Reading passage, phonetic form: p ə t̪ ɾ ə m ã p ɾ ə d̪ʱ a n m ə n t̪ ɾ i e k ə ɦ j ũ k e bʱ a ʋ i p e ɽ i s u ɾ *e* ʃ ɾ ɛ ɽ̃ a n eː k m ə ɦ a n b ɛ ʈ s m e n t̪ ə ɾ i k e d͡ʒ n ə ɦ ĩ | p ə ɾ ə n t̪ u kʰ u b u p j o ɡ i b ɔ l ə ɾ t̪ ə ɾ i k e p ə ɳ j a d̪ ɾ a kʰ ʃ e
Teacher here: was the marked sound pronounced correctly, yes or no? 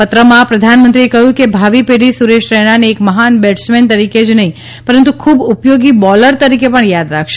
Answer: yes